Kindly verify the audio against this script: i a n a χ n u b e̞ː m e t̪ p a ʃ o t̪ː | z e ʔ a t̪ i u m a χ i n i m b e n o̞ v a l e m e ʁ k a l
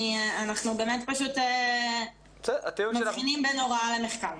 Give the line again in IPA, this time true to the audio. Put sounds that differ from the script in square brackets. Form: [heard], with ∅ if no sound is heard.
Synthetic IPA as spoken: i a n a χ n u b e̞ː m e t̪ p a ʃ [u] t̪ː | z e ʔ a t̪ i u m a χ i n i m b e n o̞ [ʁ] a l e m e [χ] k a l